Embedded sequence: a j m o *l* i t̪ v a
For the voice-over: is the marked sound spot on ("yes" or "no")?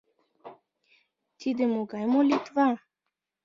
yes